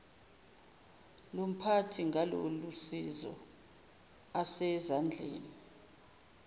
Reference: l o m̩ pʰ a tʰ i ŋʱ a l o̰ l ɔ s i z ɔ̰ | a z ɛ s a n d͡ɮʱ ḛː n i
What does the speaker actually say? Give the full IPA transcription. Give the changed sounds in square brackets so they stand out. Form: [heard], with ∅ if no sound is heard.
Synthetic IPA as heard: l o m̩ pʰ a tʰ i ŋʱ a l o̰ l [u] s i z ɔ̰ | a [s] ɛ [z] a n d͡ɮʱ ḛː n i